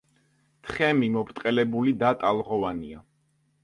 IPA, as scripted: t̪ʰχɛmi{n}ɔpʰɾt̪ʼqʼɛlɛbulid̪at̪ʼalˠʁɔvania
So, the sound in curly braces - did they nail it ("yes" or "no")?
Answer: no